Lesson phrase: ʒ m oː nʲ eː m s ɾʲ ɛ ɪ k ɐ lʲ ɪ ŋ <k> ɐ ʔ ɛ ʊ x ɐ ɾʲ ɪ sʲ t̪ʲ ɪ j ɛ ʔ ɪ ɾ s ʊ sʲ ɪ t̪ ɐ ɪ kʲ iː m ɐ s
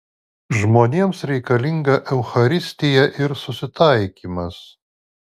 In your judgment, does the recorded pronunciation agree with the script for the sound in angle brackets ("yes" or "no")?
no